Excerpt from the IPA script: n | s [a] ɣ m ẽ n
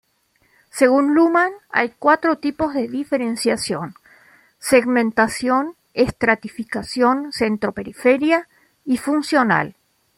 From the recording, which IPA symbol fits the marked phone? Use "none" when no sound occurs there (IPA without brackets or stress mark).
e